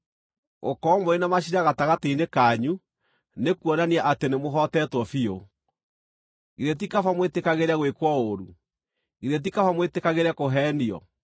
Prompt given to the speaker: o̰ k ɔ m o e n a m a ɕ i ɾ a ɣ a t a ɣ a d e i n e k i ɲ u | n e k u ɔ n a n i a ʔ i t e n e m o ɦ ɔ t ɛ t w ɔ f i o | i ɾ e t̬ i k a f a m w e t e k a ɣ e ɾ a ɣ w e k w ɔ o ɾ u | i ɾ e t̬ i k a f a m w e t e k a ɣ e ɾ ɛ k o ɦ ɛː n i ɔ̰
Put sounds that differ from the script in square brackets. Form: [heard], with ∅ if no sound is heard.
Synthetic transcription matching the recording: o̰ k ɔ m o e n a m a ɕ i ɾ a ɣ a t a ɣ a [t] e i n e k [a] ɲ u | n e k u ɔ n a n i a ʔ [a] t e n e m o ɦ ɔ t ɛ t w ɔ f i o | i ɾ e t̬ i k a f a m w e t e k a ɣ e ɾ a ɣ w e k w ɔ o ɾ u | i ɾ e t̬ i k a f a m w e t e k a ɣ e ɾ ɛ k o ɦ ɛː n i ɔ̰